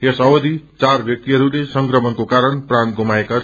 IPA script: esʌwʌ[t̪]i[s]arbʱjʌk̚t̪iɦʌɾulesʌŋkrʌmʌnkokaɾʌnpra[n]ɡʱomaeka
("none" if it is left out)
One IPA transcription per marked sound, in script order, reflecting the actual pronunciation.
d̪, t͡s, n

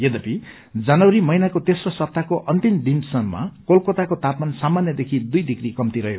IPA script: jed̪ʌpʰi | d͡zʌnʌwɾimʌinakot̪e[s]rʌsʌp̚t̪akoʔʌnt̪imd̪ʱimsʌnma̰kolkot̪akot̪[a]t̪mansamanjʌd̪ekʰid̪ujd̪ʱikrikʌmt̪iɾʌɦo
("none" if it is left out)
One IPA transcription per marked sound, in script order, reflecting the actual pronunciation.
s, a

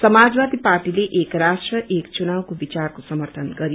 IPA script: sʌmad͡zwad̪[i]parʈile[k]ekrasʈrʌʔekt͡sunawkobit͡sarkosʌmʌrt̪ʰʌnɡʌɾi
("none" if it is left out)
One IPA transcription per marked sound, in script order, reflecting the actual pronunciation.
i, ʔ

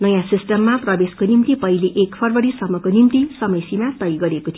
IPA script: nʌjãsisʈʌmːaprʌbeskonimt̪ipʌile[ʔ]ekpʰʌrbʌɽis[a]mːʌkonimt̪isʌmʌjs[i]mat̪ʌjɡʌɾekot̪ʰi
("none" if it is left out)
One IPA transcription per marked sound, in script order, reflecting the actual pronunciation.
ʔ, ʌ, i

